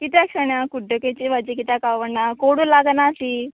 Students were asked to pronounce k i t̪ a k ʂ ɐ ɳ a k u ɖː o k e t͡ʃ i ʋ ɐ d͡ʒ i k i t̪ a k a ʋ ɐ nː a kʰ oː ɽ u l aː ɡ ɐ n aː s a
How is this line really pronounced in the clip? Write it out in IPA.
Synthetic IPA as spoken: k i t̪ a k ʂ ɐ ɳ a k u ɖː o k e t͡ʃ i ʋ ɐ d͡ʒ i k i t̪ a k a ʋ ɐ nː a k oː ɽ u l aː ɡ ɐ n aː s i